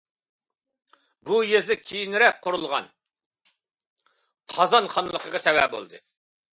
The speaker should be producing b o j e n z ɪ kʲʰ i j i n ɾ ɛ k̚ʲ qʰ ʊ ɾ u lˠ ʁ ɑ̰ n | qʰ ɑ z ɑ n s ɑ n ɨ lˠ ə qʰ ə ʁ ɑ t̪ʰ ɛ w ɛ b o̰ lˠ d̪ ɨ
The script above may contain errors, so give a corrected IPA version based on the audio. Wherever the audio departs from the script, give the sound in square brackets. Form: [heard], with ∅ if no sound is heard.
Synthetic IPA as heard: b [u] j e [∅] z ɪ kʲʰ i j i n ɾ ɛ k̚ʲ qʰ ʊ ɾ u lˠ ʁ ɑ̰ n | qʰ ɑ z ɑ n [χ] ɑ n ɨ lˠ ə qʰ ə ʁ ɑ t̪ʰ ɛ w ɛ b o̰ lˠ d̪ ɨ